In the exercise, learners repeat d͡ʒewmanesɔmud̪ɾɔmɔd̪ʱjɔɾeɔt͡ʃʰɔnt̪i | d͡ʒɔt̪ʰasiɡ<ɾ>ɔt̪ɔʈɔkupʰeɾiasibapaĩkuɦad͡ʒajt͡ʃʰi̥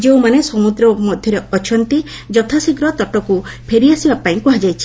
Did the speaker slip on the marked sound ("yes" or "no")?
no